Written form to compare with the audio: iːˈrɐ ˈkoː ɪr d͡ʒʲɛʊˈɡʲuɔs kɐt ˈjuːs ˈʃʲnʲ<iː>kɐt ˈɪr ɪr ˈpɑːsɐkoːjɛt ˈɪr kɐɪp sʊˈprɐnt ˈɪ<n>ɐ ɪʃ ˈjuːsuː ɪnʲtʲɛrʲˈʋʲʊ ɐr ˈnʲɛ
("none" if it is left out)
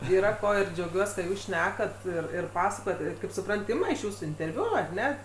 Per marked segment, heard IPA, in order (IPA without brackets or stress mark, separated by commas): æː, m